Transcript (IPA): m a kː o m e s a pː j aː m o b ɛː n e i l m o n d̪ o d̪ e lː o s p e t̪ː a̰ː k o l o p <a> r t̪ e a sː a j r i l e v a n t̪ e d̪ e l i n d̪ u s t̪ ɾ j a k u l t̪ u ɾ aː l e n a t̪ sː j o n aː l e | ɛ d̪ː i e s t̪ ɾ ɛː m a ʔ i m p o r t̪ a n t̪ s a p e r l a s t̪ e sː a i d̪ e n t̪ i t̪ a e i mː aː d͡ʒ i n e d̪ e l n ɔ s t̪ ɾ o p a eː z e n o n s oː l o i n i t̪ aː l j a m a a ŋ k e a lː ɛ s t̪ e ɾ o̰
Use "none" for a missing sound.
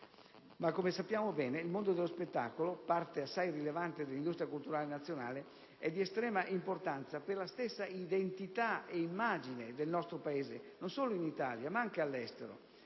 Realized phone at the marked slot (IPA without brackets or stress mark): a